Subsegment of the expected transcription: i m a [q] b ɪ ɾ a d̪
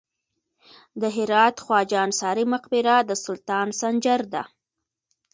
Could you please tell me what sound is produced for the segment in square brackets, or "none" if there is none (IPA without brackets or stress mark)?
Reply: q